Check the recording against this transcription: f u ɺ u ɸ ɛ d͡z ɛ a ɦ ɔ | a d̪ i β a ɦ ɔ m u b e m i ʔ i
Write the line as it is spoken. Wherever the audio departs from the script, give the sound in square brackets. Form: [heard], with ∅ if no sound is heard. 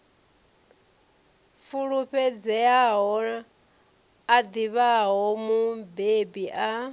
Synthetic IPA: f u ɺ u ɸ ɛ d͡z ɛ a ɦ ɔ | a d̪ i β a ɦ ɔ m u b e [b] i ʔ [a]